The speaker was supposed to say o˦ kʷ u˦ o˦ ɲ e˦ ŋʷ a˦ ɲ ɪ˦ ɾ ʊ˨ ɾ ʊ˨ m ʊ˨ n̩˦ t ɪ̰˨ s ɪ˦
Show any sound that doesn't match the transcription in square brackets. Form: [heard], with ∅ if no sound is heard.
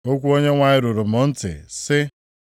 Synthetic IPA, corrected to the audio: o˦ kʷ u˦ o˦ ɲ e˦ ŋʷ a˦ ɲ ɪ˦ ɾ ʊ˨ ɾ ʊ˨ m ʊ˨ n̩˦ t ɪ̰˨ s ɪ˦